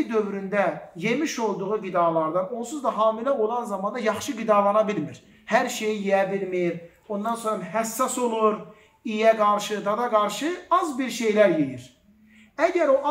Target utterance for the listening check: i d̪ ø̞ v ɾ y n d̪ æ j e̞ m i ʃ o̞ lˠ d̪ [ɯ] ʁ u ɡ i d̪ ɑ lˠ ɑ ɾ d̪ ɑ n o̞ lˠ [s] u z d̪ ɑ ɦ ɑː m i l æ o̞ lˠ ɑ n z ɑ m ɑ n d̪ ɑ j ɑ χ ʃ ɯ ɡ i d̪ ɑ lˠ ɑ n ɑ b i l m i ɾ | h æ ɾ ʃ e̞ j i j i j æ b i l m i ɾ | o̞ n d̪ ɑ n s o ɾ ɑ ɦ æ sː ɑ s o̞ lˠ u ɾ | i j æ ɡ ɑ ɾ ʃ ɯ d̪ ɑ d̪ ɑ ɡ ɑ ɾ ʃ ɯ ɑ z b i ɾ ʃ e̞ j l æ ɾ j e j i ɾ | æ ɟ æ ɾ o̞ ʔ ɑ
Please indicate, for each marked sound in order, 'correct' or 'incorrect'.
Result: incorrect, correct

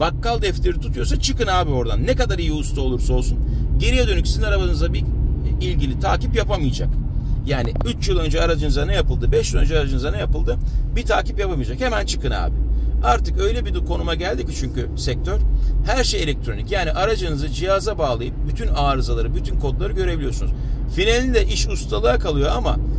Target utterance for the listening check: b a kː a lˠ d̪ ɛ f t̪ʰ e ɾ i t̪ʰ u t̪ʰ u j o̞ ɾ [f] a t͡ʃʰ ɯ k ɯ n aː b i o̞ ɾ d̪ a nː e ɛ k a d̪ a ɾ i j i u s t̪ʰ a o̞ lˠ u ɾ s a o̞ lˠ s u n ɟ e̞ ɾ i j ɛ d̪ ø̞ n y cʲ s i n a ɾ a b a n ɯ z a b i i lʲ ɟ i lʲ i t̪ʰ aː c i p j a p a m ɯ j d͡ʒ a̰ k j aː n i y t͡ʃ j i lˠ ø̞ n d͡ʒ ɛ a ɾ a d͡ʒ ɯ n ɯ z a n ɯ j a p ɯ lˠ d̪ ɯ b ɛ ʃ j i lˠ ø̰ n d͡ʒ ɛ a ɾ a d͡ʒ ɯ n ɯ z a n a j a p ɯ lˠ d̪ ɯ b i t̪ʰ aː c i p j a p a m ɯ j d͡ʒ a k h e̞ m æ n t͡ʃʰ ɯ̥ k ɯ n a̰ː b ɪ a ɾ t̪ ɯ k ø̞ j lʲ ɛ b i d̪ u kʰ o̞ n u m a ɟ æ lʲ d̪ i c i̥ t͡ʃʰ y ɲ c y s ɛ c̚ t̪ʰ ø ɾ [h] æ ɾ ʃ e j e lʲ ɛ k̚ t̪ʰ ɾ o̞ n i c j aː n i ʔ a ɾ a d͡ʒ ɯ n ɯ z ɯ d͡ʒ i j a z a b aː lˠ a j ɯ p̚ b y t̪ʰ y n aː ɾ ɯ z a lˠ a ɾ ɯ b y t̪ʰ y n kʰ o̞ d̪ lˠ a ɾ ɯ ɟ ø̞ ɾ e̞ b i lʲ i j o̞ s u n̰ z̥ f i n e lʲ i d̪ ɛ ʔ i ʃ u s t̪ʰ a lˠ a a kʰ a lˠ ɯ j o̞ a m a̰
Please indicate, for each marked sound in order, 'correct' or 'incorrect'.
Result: incorrect, correct

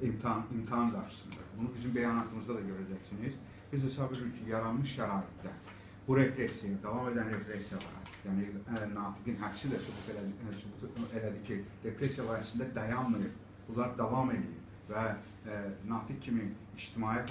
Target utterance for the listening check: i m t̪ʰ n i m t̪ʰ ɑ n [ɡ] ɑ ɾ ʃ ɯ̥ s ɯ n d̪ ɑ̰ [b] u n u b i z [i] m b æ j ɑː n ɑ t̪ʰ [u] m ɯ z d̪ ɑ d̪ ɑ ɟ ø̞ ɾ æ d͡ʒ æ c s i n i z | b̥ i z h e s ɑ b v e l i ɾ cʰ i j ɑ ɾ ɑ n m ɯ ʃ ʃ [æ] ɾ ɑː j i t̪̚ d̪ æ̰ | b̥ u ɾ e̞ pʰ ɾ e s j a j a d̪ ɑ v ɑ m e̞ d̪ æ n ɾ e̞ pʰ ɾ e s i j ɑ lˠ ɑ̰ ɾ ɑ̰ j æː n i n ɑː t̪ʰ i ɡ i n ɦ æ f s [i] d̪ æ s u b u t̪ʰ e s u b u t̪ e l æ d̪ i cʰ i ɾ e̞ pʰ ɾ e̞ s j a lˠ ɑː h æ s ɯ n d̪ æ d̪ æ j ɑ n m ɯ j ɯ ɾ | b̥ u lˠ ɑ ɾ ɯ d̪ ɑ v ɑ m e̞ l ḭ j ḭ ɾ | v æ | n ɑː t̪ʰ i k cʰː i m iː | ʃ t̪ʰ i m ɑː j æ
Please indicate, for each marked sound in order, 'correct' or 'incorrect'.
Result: correct, correct, incorrect, incorrect, correct, correct

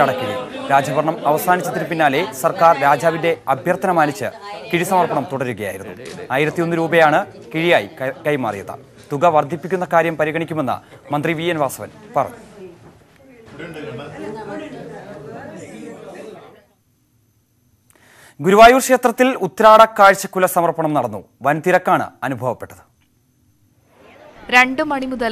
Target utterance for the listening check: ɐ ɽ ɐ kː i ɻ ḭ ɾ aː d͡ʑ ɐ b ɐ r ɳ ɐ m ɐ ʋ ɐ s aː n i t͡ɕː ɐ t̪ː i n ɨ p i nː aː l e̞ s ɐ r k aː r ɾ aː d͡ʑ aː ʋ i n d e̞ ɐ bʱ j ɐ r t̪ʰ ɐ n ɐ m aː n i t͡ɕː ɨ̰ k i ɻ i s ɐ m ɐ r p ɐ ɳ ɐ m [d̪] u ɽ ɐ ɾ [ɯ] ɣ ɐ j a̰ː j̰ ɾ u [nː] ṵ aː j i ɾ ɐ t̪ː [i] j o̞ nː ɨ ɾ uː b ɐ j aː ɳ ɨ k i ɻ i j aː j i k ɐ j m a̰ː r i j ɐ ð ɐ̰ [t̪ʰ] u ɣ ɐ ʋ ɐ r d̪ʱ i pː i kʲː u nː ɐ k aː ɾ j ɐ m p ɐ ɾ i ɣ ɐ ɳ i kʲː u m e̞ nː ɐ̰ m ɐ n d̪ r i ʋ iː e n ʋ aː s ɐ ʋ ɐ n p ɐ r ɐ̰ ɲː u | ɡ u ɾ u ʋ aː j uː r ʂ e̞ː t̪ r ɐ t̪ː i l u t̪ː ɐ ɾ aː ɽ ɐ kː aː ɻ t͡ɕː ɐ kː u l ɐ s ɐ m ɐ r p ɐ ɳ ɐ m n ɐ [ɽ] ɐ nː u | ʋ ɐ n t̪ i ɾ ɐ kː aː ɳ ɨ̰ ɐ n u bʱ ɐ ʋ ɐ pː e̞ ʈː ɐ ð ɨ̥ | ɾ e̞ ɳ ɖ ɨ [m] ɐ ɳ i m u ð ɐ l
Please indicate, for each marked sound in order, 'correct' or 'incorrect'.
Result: incorrect, incorrect, correct, correct, incorrect, correct, correct

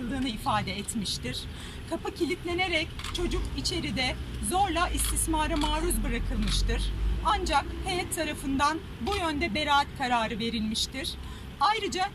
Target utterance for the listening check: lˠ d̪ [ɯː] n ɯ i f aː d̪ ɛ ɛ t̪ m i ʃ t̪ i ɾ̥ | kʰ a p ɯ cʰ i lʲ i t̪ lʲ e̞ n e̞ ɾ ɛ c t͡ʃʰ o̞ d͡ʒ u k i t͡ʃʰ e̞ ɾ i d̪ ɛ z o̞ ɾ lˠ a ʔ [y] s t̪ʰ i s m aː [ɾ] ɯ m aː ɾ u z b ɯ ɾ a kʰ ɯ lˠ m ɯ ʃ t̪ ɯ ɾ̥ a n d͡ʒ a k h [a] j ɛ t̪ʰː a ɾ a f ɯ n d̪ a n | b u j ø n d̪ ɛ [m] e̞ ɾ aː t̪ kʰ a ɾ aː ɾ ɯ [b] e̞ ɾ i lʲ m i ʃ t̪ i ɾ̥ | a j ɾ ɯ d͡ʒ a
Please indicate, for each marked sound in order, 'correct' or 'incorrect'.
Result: correct, incorrect, correct, incorrect, incorrect, incorrect

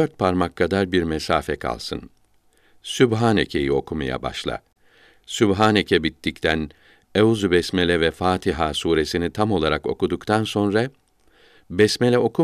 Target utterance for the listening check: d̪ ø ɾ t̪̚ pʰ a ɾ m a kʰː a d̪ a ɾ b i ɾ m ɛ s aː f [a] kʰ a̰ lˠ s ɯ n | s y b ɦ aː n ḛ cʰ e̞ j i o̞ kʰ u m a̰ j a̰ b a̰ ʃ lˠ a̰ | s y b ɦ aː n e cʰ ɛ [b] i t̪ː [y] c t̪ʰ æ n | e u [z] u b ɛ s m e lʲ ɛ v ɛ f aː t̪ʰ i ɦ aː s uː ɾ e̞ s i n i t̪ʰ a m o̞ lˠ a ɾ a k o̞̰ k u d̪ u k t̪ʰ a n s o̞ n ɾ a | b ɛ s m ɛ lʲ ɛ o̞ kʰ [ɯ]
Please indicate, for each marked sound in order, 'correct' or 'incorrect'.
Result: incorrect, correct, incorrect, correct, incorrect

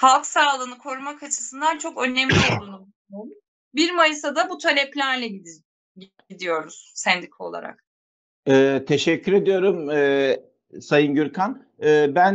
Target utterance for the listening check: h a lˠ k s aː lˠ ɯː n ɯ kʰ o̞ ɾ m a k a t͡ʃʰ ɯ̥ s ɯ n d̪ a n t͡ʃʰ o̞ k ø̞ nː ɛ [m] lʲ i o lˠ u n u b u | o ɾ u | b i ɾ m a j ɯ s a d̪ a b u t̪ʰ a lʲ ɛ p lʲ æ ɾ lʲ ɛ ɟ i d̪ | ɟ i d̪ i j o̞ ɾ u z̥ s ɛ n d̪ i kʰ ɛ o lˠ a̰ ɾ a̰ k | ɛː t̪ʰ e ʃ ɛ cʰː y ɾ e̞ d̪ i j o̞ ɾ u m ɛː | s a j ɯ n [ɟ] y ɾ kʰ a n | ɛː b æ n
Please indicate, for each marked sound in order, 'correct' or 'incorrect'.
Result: correct, correct

